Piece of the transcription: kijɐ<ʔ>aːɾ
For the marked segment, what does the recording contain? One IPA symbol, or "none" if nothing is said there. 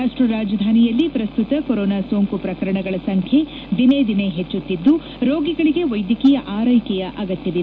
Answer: ʔ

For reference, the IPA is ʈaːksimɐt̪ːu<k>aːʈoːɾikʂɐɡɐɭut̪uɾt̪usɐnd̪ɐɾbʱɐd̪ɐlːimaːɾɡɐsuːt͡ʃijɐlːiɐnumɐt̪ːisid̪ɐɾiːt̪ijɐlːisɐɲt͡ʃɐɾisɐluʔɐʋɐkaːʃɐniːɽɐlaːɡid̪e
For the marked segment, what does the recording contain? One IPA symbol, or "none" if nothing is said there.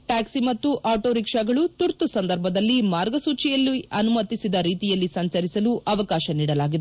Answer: ʔ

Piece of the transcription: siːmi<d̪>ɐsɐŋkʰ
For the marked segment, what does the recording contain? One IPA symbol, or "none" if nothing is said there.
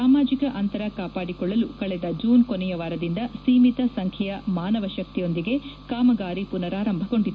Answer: t̪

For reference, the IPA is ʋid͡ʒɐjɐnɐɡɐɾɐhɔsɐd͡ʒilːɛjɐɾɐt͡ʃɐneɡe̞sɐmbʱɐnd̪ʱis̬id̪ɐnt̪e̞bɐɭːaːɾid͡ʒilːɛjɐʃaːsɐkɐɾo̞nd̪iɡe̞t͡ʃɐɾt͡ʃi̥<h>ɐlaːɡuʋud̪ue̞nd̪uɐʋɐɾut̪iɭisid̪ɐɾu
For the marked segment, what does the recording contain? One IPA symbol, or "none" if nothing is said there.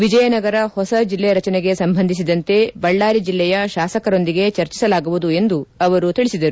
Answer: s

